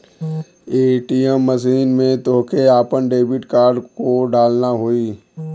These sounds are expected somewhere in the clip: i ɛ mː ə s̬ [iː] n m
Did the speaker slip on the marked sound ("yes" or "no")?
no